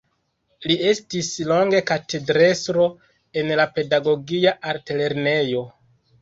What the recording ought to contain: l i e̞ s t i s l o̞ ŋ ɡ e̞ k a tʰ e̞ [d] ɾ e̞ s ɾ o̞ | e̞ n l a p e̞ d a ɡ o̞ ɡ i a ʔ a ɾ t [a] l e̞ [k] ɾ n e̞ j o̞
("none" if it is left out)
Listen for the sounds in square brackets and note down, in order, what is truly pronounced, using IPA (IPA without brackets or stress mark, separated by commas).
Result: d, e, none